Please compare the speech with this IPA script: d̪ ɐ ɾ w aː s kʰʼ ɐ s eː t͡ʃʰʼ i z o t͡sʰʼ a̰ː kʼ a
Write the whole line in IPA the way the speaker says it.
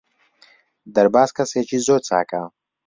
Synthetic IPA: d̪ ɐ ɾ b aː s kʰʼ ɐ s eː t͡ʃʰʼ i z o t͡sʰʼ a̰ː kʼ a

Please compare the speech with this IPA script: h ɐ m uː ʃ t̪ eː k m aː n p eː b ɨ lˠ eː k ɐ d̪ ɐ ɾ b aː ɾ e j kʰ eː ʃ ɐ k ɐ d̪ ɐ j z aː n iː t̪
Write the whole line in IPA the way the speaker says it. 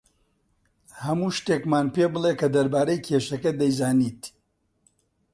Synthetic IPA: h ɐ m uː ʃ t̪ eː k m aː n p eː b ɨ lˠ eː k ɐ d̪ ɐ ɾ b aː ɾ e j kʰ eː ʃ ɐ k ɐ d̪ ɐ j z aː n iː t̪

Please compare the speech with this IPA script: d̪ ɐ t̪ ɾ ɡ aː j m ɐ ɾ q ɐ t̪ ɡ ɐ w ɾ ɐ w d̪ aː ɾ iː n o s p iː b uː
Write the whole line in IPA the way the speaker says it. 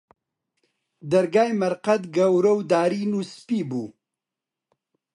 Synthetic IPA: d̪ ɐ ɾ ɡ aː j m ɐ ɾ q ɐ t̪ ɡ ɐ w ɾ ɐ w d̪ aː ɾ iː n u s p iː b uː

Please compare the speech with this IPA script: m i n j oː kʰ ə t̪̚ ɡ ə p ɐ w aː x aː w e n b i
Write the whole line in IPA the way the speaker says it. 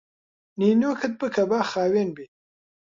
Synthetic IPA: n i n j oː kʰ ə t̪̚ b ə k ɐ b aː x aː w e n b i

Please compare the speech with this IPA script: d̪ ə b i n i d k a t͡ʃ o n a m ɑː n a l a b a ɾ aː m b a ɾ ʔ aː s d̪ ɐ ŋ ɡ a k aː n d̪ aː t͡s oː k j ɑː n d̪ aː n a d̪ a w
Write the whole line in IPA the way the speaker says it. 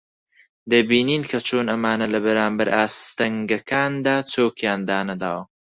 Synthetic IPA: d̪ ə b i n i n k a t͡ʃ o n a m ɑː n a l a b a ɾ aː m b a ɾ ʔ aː s t̪ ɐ ŋ ɡ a k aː n d̪ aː t͡s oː k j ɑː n d̪ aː n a d̪ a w

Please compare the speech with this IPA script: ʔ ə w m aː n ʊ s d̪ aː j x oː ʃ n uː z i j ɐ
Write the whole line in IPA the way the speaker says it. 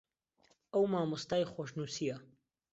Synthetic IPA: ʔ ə w m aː m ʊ s t̪ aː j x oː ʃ n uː s i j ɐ

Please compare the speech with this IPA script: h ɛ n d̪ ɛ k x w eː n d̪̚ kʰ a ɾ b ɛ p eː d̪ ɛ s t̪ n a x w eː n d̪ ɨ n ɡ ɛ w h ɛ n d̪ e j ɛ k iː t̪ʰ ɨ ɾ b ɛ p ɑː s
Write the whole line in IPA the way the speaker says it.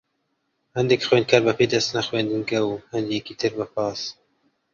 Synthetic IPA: h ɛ n d̪ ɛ k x w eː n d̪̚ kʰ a ɾ b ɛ p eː d̪ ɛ s t̪ n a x w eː n d̪ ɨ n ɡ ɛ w h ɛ n d̪ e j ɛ k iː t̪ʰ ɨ ɾ b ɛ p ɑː s

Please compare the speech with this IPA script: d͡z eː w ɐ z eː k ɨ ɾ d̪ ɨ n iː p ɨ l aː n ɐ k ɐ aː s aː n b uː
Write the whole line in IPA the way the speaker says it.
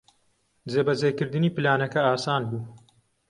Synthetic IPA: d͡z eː b ɐ z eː k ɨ ɾ d̪ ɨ n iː p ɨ l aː n ɐ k ɐ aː s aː n b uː

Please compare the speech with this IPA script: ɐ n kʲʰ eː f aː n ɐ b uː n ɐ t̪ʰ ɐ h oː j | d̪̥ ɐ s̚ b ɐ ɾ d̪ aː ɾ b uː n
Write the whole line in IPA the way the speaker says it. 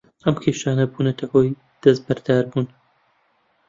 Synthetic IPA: ɐ m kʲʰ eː ʃ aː n ɐ b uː n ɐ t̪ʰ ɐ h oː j | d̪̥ ɐ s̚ b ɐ ɾ d̪ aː ɾ b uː n

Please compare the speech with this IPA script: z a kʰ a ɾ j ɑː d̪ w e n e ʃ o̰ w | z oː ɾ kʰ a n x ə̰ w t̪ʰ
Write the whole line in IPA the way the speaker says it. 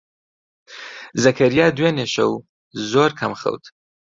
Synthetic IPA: z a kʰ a ɾ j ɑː d̪ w e n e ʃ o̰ w | z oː ɾ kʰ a m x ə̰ w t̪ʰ

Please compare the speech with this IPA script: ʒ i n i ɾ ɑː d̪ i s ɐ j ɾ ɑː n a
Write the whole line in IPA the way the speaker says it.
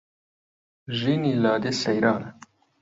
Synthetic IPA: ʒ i n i l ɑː d̪ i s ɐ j ɾ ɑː n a

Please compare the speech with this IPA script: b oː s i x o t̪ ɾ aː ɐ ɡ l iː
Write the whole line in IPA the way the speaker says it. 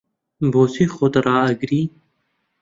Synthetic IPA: b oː s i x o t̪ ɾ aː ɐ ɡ ɾ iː

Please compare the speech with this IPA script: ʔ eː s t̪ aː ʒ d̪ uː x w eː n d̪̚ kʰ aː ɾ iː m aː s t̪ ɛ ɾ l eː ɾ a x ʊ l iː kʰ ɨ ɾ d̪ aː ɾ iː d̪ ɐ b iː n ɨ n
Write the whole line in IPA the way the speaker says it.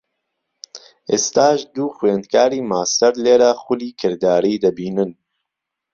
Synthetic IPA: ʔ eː s t̪ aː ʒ d̪ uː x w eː n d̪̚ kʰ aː ɾ iː m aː s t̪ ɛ ɾ l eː ɾ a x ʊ l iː kʰ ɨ ɾ d̪ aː ɾ iː d̪ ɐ b iː n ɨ n

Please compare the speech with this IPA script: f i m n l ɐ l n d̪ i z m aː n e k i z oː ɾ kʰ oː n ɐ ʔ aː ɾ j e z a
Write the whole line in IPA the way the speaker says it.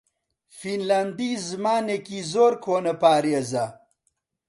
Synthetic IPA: f i n l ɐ n d̪ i z m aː n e k i z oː ɾ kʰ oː n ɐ p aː ɾ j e z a

